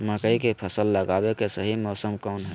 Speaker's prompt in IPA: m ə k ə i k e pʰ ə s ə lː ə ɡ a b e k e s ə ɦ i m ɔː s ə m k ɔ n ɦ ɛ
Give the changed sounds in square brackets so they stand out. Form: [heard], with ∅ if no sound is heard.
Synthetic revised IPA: m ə k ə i k e pʰ ə s ə lː ə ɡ a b e k e s ə ɦ i m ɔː s ə m k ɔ n ɦ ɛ